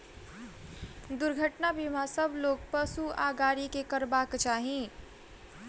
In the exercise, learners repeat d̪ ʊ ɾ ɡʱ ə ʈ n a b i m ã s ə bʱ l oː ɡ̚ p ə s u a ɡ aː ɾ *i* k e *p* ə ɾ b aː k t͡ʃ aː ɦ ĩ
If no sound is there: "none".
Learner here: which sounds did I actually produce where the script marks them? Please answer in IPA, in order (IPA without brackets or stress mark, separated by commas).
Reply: i, k